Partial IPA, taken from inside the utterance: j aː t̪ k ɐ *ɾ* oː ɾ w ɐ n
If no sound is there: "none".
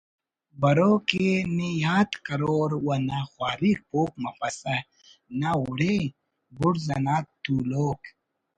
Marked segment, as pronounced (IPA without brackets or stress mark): ɾ